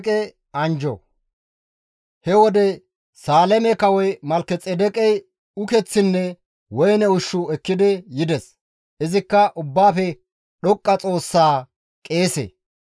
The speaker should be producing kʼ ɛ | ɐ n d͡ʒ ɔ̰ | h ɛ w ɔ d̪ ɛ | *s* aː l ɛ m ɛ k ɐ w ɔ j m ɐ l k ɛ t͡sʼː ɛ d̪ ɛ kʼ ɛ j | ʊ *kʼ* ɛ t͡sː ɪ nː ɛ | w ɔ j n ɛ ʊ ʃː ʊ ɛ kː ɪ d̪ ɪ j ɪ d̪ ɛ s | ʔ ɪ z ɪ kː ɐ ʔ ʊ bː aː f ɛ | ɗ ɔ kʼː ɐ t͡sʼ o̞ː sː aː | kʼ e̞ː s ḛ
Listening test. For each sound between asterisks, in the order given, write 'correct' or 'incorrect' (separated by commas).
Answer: correct, incorrect